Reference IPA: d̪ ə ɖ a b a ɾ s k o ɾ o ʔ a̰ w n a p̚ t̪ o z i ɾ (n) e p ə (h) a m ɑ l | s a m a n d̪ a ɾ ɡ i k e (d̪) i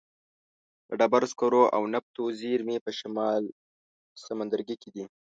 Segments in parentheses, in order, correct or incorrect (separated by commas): incorrect, incorrect, correct